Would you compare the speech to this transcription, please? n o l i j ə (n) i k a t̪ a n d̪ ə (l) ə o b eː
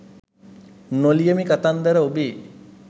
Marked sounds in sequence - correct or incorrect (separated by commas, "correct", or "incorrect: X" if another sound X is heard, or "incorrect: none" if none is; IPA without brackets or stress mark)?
incorrect: m, incorrect: ɾ